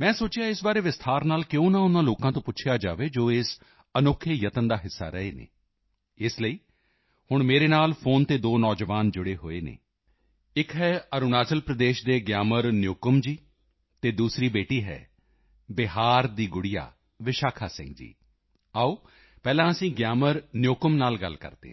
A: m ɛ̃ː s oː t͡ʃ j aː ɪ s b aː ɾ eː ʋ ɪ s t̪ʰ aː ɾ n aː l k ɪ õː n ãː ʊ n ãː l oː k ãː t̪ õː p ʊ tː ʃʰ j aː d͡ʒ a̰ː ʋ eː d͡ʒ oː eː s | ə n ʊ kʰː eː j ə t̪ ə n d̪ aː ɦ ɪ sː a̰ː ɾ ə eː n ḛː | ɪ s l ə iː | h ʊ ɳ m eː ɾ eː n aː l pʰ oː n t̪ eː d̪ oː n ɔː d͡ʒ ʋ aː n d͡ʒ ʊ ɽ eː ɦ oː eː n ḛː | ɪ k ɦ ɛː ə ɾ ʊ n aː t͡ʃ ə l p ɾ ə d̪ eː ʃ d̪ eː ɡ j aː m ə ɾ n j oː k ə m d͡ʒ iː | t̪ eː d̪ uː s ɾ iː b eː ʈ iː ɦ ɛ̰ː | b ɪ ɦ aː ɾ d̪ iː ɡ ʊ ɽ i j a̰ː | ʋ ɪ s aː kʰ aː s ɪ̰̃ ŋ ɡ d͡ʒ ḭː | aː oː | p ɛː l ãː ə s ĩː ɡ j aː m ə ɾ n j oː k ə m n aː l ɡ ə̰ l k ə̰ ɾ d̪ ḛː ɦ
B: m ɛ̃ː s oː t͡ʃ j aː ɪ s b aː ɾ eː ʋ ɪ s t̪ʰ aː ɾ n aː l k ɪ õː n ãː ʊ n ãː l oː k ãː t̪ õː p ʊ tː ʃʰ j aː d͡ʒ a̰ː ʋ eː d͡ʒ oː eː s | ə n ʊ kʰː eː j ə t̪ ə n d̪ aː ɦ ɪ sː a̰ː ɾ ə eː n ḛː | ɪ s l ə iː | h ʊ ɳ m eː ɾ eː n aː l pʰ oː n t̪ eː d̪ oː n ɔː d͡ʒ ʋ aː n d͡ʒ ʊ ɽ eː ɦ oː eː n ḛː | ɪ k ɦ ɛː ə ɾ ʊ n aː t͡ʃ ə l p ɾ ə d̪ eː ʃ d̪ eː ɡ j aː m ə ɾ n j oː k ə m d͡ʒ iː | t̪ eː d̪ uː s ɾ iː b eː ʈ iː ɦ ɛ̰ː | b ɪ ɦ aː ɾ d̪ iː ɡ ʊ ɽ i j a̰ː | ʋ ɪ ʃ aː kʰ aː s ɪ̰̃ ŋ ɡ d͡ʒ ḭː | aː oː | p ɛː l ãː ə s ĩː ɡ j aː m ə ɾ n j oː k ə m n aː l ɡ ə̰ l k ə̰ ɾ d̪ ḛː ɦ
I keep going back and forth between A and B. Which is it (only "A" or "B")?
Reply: B